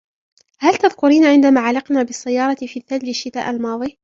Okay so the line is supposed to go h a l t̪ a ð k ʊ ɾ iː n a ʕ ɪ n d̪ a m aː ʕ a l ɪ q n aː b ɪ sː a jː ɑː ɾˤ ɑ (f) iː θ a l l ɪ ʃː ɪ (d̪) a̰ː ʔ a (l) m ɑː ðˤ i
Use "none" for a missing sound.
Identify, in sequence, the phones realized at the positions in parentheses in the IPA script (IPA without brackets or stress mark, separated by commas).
f, t̪, l